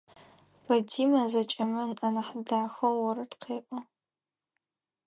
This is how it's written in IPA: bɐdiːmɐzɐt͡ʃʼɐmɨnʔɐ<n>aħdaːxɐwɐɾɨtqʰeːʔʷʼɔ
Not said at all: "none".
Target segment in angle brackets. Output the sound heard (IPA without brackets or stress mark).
n